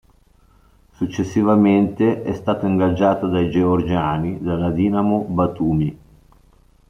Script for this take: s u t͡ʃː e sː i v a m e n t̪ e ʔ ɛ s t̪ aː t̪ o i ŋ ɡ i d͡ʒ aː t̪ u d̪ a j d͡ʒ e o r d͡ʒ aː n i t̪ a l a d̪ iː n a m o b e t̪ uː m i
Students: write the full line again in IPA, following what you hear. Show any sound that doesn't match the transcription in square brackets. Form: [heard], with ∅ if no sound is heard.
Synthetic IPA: s u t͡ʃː e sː i v a m e n t̪ e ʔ ɛ s t̪ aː t̪ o i ŋ ɡ [a] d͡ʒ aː t̪ [o] d̪ a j d͡ʒ e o r d͡ʒ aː n i [d̪] a l a d̪ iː n a m o b [a] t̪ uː m i